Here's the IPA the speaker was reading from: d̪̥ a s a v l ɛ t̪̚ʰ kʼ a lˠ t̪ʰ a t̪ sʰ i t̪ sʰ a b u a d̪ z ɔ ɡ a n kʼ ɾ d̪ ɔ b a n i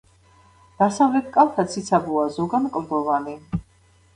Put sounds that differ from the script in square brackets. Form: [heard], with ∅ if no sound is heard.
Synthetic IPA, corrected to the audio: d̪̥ a s a v l ɛ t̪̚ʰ kʼ a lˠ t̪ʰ a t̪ sʰ i t̪ sʰ a b u a [∅] z ɔ ɡ a n kʼ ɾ d̪ ɔ [v] a n i